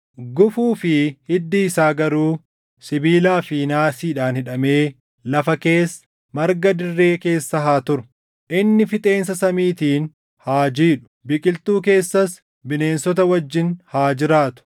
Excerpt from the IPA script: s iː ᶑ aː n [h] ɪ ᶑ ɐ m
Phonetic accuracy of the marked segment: correct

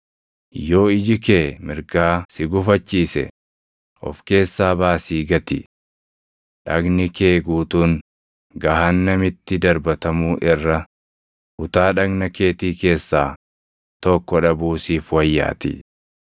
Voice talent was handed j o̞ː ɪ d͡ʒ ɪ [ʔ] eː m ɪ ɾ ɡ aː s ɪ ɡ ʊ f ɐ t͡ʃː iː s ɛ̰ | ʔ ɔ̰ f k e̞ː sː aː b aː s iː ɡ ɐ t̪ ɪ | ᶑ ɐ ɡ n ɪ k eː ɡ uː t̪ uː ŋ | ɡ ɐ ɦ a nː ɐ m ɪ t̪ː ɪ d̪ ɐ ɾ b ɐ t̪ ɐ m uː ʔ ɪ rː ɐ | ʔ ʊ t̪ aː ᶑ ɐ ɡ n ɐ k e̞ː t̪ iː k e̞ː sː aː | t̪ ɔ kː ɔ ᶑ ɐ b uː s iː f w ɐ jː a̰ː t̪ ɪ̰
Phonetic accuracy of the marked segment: incorrect: k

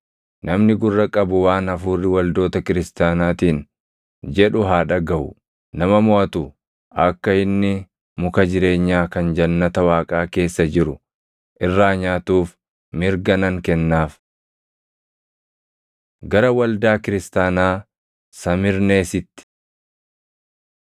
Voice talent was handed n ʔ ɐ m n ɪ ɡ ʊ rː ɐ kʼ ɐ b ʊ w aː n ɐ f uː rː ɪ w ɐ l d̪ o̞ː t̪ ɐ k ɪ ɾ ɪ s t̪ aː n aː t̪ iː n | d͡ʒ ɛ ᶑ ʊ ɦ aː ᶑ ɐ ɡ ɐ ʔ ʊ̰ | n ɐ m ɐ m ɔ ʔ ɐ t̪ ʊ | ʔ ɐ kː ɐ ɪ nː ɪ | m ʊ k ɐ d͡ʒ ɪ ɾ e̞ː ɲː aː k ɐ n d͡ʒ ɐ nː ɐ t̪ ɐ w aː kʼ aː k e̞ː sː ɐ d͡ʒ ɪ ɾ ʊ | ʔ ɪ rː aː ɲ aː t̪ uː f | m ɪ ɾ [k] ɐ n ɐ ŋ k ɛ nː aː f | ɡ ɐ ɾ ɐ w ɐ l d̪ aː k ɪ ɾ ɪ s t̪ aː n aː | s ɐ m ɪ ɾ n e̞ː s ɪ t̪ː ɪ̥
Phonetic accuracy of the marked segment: incorrect: ɡ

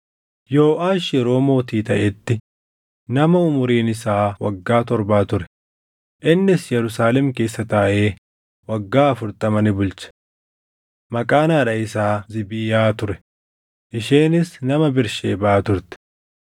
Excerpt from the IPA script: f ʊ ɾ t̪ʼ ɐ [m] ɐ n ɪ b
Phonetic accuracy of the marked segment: correct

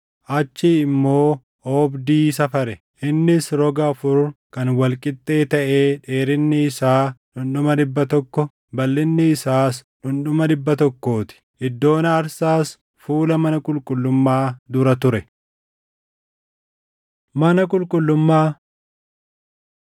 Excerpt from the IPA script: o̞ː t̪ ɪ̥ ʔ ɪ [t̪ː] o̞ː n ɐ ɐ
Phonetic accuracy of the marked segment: incorrect: d̪ː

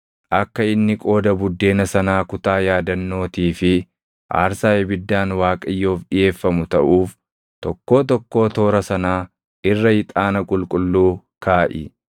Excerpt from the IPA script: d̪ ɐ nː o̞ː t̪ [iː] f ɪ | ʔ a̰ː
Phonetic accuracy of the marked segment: correct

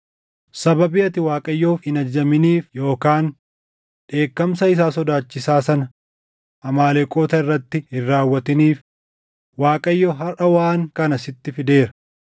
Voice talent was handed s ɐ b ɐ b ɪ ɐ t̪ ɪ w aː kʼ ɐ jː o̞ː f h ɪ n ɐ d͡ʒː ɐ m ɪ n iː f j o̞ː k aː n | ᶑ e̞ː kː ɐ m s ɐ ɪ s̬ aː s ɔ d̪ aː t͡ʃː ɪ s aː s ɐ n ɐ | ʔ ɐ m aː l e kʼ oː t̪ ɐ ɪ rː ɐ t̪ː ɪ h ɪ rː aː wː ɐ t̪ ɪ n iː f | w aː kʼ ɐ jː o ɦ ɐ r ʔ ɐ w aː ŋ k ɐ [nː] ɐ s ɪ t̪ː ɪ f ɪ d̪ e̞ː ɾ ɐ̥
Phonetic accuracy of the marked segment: incorrect: n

